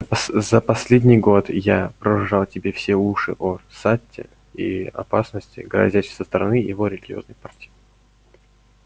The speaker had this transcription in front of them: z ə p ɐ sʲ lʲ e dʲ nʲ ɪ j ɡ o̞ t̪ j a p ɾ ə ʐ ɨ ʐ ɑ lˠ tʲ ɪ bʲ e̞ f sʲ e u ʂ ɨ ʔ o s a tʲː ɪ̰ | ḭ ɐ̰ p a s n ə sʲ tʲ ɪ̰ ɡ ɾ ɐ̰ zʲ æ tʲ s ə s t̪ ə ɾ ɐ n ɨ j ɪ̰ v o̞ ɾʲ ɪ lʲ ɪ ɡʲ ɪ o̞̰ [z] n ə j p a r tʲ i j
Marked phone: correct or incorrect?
correct